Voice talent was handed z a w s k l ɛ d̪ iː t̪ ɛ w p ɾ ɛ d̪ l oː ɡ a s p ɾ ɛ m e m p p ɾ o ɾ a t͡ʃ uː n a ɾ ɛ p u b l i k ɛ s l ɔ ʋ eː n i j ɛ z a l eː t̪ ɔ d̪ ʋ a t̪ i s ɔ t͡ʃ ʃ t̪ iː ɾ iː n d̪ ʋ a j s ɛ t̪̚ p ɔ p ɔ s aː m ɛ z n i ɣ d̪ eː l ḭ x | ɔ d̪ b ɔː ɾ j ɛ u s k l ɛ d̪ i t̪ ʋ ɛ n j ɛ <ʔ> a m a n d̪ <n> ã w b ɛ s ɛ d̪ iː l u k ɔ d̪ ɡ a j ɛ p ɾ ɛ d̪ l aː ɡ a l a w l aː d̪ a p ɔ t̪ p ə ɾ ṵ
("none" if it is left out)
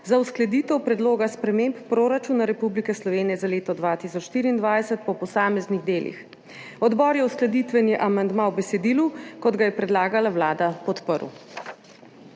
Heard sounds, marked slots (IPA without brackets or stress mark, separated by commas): ʔ, m